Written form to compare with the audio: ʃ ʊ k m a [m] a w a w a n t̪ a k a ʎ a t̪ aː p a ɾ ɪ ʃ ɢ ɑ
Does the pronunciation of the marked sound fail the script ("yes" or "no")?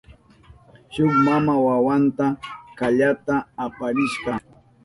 no